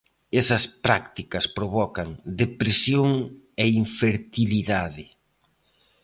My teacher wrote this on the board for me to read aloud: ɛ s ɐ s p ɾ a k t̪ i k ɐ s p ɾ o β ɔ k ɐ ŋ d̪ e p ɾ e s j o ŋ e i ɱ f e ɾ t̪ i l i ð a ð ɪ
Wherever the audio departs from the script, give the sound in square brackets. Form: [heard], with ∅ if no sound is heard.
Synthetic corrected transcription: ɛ s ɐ s p ɾ a k t̪ i k ɐ s p ɾ o β ɔ k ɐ ŋ d̪ e p ɾ e s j o ŋ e i ɱ f e ɾ t̪ i l i ð a ð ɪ